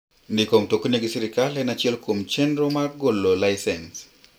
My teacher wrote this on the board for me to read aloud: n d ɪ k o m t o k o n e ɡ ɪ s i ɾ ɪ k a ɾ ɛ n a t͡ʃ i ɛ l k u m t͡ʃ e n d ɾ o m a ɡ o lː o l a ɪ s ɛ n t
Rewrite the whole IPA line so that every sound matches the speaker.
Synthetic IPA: n d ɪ k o m t o k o n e ɡ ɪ s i ɾ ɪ k a l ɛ n a t͡ʃ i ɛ l k o m t͡ʃ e n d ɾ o m a ɡ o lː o l a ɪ s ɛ n s